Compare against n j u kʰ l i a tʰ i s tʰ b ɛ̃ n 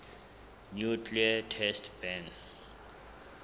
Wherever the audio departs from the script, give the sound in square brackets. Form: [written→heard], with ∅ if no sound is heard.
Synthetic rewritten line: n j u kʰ l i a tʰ [i→ɛ] s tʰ b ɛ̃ n